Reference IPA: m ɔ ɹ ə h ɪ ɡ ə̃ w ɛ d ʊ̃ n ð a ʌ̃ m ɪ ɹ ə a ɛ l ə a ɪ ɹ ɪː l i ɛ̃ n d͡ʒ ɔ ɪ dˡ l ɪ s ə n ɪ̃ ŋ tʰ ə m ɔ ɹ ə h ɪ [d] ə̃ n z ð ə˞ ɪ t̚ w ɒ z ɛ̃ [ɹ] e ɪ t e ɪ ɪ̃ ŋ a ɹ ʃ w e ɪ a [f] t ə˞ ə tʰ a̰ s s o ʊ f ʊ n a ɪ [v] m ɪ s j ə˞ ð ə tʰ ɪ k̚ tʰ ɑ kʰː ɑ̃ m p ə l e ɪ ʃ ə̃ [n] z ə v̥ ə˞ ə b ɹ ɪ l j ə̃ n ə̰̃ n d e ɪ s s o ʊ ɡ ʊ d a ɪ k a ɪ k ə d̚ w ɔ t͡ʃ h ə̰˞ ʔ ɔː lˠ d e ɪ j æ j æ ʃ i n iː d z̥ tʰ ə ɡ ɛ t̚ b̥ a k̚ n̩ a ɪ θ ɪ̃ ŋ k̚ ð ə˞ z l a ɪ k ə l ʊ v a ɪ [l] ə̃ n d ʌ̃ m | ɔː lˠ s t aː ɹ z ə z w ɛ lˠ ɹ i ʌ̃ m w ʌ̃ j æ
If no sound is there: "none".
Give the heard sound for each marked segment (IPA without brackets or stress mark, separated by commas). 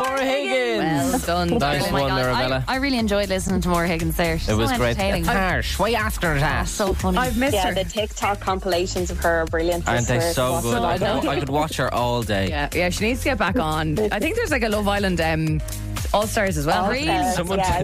ɡ, ɹ, f, v, n, l